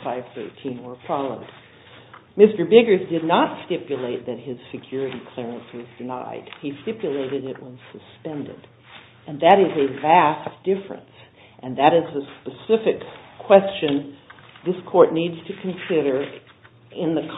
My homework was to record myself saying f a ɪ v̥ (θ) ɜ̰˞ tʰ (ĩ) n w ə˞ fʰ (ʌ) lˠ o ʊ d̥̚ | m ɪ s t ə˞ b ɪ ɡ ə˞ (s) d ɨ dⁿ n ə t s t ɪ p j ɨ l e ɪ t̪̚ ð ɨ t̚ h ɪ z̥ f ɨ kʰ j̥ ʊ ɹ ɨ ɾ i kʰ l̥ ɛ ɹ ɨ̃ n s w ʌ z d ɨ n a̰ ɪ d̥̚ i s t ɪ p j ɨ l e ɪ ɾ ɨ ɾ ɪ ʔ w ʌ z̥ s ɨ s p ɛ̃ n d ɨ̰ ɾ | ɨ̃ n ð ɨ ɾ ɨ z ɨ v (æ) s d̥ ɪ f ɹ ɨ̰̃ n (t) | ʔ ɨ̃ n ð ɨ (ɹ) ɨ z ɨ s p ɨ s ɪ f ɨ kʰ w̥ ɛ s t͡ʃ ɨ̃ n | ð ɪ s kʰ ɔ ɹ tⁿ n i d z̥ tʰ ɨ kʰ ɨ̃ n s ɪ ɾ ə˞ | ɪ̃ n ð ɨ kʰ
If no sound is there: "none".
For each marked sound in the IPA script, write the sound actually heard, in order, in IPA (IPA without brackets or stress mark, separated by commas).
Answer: θ, ĩ, ɑ, z, æ, s, ɾ